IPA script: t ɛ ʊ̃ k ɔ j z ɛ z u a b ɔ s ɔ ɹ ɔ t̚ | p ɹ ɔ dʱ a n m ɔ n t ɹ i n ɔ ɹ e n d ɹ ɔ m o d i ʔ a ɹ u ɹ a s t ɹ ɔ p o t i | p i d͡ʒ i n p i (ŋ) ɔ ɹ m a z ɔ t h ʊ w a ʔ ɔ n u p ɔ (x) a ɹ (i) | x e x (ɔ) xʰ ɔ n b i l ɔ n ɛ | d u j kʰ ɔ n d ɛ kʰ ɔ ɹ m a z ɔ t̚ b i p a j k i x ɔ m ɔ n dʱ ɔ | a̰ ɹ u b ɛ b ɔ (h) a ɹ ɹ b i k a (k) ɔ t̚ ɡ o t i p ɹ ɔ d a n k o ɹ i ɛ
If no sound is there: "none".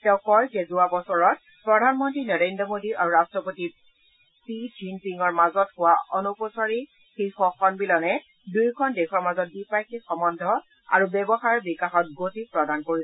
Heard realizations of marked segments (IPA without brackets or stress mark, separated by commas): ŋ, s, i, ɔ, x, x